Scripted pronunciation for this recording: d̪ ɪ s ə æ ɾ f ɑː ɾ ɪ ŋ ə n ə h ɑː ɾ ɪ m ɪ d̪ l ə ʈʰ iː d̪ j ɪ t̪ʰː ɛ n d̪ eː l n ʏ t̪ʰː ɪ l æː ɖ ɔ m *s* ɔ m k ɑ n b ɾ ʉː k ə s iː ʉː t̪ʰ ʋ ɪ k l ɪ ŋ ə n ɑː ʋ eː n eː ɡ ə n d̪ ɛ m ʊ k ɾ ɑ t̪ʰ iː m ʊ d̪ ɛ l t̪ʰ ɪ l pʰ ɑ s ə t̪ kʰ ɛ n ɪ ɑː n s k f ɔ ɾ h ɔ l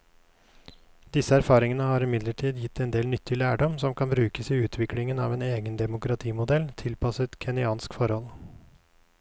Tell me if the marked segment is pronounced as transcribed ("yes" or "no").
yes